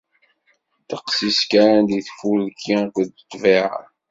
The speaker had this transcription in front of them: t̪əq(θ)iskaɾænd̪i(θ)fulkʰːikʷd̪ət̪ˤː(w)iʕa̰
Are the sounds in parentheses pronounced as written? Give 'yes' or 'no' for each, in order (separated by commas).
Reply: no, yes, no